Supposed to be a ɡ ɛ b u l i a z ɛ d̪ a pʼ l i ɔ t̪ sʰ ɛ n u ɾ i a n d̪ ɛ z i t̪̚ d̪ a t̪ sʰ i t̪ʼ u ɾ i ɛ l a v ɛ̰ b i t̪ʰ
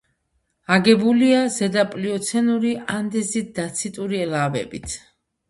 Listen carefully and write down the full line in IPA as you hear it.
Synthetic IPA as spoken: a ɡ ɛ b u l i a z ɛ d̪ a pʼ l i ɔ t̪ sʰ ɛ n u ɾ i a n d̪ ɛ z i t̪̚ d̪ a t̪ sʰ i t̪ʼ u ɾ i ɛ l a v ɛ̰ b i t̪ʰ